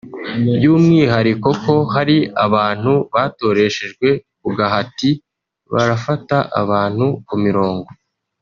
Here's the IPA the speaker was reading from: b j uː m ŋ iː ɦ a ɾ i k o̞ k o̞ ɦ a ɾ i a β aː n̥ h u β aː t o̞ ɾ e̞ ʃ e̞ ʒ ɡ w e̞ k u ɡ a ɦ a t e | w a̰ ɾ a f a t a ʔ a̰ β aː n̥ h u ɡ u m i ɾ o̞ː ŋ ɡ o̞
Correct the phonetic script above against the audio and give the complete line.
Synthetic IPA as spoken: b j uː m ŋ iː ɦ a ɾ i k o̞ k o̞ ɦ a ɾ i a β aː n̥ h u β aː t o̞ ɾ e̞ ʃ e̞ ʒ ɡ w e̞ k u ɡ a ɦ a t i | β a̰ ɾ a f a t a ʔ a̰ β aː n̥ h u k u m i ɾ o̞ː ŋ ɡ o̞